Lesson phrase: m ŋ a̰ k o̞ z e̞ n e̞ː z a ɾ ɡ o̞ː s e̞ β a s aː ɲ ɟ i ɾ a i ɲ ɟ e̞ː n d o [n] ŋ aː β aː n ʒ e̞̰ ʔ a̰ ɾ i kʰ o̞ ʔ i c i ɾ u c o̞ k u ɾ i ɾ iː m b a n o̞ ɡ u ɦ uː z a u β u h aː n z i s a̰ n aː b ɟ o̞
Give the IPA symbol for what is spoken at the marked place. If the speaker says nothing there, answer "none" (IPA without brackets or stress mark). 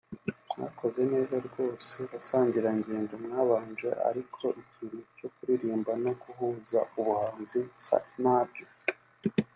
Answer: m